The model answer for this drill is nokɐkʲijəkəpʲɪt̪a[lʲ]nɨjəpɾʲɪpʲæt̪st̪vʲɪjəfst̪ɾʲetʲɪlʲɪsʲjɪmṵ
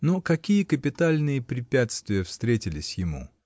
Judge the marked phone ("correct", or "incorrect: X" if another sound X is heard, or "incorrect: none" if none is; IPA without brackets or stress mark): correct